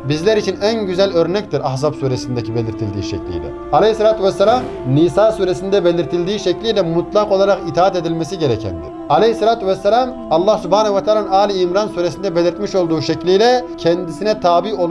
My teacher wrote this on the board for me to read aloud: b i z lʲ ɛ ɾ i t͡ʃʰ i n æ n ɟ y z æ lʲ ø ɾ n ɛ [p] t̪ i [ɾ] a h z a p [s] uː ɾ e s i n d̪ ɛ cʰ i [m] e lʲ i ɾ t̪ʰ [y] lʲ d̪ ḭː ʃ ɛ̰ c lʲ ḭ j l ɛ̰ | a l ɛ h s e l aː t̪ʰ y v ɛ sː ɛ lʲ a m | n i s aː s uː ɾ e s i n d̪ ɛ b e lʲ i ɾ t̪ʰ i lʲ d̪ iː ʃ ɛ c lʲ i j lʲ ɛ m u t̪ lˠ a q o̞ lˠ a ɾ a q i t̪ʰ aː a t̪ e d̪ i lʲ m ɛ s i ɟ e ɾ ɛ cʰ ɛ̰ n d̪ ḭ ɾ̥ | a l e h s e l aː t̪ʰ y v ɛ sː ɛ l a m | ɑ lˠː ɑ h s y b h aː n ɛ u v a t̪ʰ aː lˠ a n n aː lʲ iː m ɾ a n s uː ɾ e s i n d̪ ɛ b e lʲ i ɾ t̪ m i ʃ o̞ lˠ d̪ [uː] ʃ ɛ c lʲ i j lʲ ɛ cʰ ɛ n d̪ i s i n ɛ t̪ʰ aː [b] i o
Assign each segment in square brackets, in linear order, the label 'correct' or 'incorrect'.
incorrect: c, correct, correct, incorrect: b, incorrect: i, correct, correct

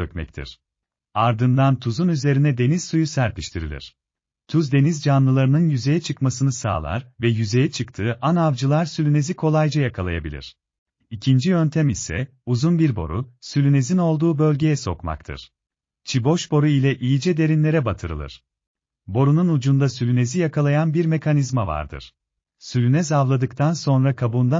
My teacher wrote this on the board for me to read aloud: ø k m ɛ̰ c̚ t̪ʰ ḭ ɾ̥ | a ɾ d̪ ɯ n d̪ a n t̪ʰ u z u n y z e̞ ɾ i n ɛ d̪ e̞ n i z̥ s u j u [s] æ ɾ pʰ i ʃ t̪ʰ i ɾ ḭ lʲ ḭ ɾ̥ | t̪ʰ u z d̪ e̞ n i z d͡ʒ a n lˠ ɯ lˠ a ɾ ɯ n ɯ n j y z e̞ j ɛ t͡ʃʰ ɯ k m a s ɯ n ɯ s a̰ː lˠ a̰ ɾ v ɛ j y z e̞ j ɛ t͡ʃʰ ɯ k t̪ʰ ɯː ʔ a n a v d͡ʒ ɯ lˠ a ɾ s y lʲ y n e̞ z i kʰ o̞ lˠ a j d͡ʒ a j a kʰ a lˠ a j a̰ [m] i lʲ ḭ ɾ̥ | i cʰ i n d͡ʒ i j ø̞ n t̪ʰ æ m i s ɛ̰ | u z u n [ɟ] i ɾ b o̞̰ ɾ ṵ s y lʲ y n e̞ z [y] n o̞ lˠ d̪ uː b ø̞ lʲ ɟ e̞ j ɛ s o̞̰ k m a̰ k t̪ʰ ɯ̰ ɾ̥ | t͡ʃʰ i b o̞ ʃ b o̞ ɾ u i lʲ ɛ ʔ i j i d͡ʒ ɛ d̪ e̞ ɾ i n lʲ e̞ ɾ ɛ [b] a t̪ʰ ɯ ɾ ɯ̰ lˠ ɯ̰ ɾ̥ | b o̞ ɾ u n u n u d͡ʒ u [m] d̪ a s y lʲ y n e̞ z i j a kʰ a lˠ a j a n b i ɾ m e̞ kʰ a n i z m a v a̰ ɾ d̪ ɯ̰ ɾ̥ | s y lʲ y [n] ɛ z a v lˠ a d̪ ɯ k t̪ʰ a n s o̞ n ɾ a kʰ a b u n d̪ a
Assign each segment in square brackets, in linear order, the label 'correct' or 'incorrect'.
correct, incorrect: b, incorrect: b, incorrect: i, correct, incorrect: n, correct

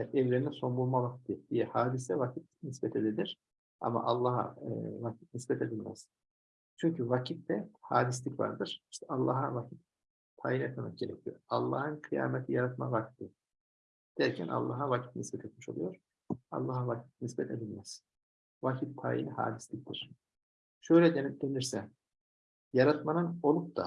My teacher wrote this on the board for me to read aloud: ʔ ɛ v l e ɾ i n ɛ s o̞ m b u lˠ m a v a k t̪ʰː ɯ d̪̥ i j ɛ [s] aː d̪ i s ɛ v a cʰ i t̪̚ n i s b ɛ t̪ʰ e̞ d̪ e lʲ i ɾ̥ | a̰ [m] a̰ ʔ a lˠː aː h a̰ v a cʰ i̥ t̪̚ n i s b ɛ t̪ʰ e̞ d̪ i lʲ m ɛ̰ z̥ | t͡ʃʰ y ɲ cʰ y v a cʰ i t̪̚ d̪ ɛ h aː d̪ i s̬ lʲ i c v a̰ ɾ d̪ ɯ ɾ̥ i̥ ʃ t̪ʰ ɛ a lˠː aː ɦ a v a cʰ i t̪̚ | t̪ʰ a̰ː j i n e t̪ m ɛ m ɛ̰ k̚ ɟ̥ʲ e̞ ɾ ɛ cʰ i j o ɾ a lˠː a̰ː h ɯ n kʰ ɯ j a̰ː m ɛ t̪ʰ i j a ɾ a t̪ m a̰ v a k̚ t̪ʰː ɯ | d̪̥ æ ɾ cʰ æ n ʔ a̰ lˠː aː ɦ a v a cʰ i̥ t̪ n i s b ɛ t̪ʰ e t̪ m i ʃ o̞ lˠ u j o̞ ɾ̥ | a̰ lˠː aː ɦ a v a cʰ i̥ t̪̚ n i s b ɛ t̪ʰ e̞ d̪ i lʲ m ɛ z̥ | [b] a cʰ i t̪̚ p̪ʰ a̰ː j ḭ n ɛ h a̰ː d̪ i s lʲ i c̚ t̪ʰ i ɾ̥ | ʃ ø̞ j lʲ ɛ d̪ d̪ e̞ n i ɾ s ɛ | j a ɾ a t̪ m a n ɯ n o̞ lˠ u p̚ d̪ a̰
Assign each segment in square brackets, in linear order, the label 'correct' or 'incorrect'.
incorrect: h, correct, incorrect: v

